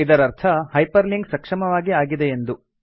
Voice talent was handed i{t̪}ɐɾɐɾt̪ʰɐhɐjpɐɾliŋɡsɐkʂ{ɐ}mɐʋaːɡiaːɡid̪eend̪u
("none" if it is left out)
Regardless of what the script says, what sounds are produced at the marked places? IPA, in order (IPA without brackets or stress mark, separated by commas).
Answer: d̪, ɐ